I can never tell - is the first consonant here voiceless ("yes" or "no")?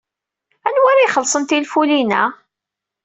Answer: no